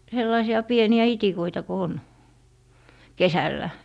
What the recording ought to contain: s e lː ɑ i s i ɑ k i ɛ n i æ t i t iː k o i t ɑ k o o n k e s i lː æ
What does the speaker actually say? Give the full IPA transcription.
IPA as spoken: s e lː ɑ i s i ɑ p i e n i æ i t i k o i t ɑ k o o n k e s æ lː æ